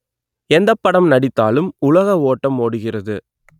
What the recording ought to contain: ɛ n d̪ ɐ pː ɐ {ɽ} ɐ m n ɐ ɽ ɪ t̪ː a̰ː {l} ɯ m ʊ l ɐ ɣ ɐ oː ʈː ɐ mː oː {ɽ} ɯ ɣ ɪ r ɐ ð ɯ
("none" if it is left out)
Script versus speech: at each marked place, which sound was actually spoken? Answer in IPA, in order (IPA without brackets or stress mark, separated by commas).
ɽ, l, ɽ